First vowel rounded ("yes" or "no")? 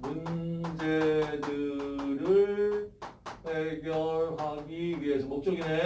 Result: yes